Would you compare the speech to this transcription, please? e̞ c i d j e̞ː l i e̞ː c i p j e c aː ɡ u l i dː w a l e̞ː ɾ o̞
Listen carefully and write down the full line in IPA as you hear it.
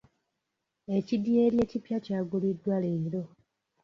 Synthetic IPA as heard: e̞ c i d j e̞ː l j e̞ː c i p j a c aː ɡ u l i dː w a l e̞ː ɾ o̞